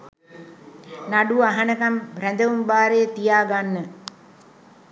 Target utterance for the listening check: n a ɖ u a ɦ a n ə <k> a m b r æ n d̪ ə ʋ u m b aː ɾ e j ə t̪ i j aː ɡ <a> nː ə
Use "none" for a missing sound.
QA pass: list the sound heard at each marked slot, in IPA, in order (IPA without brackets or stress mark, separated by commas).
k, a